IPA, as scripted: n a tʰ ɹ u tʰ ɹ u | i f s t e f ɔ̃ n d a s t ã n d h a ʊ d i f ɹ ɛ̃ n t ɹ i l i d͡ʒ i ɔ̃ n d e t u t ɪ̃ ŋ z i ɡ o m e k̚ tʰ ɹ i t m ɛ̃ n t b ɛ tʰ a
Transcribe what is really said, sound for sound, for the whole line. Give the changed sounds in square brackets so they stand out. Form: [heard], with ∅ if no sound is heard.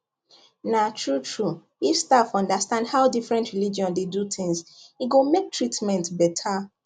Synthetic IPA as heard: n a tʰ ɹ u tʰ ɹ u | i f s t [a] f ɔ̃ n d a s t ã n d h a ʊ d i f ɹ ɛ̃ n t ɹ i l i d͡ʒ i ɔ̃ n d e [d] u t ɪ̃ ŋ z i ɡ o m e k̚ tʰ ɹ i t m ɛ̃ n t b ɛ tʰ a